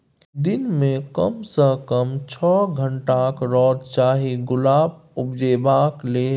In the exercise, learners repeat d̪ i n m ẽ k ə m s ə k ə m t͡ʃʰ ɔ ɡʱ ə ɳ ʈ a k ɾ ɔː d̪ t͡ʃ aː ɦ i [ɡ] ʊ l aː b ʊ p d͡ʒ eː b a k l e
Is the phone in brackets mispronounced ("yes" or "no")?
no